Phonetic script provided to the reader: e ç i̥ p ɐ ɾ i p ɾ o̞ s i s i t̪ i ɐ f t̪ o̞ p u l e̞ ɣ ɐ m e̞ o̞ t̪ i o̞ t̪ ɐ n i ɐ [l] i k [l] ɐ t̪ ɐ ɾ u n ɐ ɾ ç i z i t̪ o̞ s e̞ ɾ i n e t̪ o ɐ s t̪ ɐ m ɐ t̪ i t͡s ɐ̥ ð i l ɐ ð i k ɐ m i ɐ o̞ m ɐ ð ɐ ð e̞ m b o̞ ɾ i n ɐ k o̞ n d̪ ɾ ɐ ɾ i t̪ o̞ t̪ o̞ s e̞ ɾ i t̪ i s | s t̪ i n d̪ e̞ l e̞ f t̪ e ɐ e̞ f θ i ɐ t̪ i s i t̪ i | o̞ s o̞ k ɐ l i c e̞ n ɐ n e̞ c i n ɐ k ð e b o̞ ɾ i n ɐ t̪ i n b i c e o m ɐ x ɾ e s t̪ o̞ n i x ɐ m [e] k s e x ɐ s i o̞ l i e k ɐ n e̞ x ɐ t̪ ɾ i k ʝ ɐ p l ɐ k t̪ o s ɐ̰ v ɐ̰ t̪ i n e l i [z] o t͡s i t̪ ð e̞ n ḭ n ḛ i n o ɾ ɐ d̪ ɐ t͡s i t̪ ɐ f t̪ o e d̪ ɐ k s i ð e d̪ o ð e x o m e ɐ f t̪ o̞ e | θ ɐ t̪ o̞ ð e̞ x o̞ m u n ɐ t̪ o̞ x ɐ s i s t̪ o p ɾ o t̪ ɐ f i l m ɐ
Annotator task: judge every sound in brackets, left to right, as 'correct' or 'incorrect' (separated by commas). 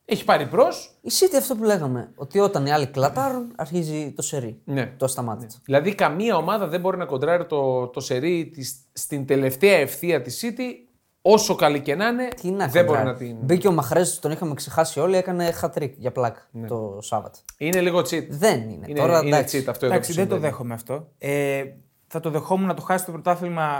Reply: correct, correct, correct, incorrect